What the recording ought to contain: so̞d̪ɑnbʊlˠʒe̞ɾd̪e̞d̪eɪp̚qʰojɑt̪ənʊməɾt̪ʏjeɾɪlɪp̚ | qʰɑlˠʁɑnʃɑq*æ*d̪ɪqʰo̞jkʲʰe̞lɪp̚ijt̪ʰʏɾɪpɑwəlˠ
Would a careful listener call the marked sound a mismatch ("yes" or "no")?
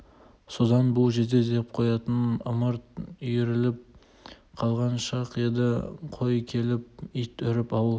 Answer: yes